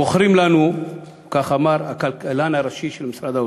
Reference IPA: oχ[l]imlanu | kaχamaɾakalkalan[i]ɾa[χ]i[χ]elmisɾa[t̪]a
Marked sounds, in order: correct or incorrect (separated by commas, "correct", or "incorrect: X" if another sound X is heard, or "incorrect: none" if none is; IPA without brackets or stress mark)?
incorrect: ɾ, incorrect: a, incorrect: ʃ, incorrect: ʃ, incorrect: d̪